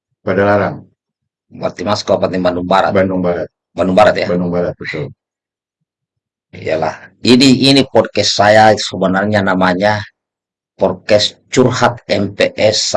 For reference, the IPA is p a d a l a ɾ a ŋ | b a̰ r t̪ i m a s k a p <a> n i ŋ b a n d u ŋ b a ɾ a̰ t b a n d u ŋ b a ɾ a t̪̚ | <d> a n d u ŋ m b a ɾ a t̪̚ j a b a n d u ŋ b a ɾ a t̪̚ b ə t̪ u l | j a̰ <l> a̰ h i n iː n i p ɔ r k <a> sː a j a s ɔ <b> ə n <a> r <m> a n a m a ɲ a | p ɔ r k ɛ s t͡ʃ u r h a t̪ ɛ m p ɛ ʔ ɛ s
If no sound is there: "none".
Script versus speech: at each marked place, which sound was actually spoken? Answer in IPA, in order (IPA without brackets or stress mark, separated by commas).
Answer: a, b, l, ɛ, b, a, ɲ